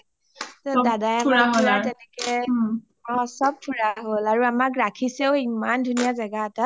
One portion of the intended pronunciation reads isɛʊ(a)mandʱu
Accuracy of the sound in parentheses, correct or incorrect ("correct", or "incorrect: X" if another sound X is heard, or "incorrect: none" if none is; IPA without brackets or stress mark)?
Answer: incorrect: i